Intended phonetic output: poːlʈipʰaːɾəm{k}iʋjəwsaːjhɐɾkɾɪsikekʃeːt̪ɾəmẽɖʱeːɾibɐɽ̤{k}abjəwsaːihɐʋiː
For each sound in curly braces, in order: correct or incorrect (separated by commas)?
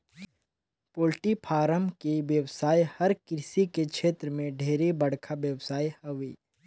correct, incorrect